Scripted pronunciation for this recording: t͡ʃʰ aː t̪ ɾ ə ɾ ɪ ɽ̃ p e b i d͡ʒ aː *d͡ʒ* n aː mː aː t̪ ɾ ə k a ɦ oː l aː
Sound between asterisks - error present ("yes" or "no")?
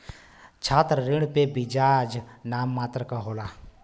no